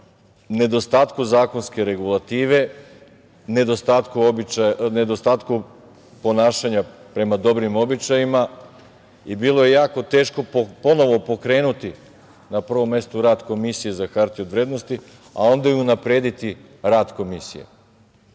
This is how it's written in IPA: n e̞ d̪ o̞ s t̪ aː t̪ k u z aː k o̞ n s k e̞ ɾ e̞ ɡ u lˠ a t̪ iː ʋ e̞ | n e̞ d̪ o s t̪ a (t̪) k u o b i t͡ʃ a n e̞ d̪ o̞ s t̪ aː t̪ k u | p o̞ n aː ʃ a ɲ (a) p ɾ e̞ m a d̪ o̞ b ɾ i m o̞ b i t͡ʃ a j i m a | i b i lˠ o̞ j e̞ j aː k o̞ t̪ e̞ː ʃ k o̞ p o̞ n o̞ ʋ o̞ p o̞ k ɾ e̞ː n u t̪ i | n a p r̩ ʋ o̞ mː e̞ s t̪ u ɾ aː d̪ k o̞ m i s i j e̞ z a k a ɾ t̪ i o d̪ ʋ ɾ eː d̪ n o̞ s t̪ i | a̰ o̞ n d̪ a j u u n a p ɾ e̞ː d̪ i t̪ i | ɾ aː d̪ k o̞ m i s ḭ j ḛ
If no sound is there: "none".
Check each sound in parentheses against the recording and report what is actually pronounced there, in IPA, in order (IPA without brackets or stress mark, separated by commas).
t̪, a